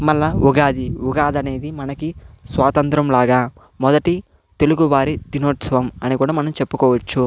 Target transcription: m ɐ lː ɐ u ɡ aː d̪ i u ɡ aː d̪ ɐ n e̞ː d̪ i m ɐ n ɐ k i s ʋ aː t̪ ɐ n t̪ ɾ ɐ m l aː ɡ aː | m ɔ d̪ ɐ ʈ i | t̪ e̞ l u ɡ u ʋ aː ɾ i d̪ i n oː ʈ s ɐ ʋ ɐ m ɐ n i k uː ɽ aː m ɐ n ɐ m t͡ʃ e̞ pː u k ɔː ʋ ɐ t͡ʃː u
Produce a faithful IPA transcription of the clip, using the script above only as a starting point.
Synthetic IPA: m ɐ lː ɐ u ɡ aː d̪ i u ɡ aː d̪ ɐ n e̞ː d̪ i m ɐ n ɐ k i s ʋ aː t̪ ɐ n t̪ ɾ ɐ m l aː ɡ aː | m ɔ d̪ ɐ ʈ i | t̪ e̞ l u ɡ u ʋ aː ɾ i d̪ i n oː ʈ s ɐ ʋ ɐ m ɐ n i k uː ɽ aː m ɐ n ɐ m t͡ʃ e̞ pː u k ɔː ʋ ɐ t͡ʃː u